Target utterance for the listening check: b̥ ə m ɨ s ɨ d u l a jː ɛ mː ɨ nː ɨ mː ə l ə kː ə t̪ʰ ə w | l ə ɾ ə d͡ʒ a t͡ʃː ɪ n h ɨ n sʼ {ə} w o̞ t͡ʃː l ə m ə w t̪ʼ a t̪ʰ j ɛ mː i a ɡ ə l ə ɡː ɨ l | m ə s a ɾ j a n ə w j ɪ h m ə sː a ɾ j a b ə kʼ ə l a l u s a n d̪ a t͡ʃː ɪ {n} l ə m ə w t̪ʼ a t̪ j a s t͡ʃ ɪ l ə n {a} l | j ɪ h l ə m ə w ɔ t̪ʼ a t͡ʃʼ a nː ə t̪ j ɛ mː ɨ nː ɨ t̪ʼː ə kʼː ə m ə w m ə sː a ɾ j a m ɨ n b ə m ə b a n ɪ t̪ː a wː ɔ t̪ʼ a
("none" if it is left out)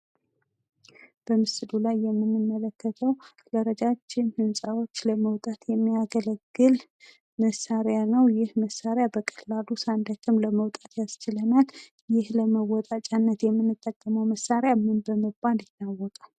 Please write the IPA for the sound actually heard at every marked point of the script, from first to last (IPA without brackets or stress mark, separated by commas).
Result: a, m, a